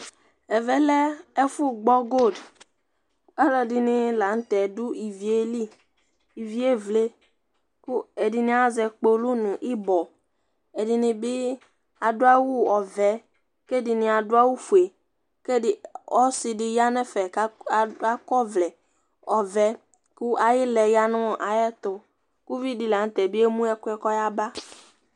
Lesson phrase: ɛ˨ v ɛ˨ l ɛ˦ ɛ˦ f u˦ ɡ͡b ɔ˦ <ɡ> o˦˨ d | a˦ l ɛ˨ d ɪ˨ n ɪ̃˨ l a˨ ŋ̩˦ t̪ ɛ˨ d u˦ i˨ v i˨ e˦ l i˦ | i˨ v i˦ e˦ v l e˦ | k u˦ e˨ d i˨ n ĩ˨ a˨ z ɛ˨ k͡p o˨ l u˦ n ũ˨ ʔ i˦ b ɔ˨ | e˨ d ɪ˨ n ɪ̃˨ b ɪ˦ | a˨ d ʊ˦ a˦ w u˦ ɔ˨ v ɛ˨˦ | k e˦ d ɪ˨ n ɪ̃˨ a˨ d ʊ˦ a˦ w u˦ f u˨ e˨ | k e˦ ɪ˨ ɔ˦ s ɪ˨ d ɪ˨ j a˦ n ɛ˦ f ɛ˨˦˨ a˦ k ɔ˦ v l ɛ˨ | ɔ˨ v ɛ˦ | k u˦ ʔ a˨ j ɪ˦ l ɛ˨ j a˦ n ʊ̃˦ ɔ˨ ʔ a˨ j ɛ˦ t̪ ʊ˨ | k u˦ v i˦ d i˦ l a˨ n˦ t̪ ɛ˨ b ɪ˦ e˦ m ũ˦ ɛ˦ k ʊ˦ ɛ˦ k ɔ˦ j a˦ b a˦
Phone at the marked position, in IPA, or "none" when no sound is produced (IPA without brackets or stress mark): ɡ